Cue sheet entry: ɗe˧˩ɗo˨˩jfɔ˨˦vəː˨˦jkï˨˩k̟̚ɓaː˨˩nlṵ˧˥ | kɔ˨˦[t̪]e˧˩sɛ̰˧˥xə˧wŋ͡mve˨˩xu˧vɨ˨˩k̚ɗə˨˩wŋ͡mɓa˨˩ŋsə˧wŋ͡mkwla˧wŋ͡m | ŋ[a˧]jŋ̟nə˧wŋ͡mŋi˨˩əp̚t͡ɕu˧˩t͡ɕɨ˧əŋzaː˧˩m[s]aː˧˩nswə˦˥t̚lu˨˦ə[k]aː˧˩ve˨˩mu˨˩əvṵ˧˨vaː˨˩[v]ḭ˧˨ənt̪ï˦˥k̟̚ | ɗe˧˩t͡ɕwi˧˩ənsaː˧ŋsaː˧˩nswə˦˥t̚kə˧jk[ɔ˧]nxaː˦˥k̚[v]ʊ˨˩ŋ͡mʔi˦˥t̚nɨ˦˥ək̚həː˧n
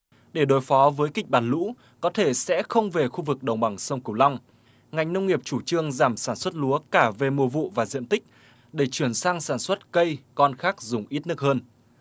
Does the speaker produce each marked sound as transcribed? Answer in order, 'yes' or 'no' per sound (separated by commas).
no, no, yes, yes, no, yes, no